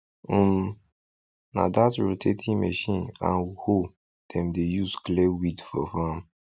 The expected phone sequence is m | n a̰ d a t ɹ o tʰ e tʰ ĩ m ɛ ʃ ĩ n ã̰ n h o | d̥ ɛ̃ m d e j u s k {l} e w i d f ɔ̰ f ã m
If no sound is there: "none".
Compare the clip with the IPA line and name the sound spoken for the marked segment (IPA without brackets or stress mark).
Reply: l